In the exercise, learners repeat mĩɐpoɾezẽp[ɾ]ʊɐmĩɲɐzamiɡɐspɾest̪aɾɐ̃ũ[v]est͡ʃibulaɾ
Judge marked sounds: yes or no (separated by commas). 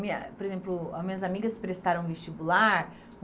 no, yes